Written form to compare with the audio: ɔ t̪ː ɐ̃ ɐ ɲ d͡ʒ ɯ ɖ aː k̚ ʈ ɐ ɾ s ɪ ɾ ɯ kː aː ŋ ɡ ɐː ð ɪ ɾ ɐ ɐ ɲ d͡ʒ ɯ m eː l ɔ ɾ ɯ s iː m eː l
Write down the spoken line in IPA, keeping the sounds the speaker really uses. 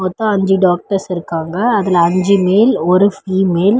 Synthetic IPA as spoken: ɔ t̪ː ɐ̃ ɐ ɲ d͡ʒ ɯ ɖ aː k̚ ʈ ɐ ɾ s ɪ ɾ ɯ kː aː ŋ ɡ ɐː ð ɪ l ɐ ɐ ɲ d͡ʒ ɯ m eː l ɔ ɾ ɯ f iː m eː l